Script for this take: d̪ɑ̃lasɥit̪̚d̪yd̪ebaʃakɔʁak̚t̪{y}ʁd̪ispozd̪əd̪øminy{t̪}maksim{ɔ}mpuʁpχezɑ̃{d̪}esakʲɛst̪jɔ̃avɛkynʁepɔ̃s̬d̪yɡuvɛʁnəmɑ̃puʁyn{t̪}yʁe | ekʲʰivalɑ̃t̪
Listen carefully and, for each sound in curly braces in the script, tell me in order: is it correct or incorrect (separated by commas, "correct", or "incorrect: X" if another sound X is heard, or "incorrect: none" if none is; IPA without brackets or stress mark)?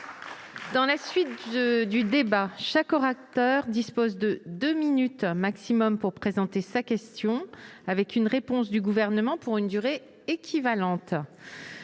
incorrect: œ, correct, correct, incorrect: t̪, incorrect: d̪